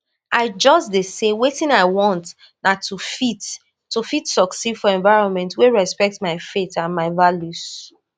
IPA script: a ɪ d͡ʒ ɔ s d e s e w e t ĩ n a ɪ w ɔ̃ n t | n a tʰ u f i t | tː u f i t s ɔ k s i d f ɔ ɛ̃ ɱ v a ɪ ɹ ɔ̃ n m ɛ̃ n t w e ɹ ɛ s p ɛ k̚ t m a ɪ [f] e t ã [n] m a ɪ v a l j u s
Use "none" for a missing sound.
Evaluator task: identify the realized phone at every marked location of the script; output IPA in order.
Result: f, n

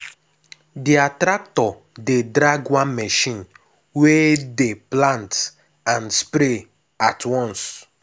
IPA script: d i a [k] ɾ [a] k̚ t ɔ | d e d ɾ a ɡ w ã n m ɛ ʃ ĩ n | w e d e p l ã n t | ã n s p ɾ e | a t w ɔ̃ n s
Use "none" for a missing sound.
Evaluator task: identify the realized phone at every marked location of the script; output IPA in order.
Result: t, a

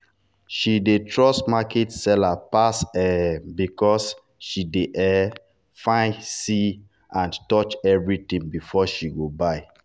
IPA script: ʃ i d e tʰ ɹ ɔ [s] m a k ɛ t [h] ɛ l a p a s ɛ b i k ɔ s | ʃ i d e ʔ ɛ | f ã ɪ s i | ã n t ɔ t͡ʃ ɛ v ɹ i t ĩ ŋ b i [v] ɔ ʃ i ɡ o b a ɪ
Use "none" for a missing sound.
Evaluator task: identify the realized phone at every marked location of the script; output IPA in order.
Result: s, s, f

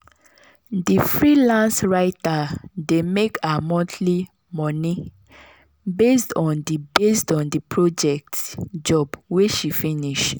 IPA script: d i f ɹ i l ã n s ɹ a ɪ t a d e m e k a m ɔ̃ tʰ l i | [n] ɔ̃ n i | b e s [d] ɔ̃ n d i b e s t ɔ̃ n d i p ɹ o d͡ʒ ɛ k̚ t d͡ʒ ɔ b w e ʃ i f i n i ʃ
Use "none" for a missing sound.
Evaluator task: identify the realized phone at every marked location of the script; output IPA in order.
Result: m, t

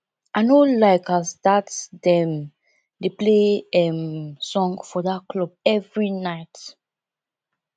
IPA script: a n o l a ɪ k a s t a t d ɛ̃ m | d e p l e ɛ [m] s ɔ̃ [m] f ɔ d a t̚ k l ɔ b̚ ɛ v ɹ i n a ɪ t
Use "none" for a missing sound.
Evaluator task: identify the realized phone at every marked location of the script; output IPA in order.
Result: m, ŋ

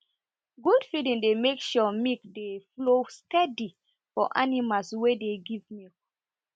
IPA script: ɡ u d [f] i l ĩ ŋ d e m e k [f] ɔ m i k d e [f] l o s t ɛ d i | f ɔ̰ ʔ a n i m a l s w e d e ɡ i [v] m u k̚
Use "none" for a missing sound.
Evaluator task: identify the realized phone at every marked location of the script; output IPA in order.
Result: f, ʃ, f, v

